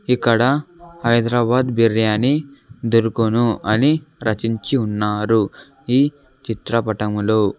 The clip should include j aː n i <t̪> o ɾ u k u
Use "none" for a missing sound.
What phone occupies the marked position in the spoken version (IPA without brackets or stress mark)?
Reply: d̪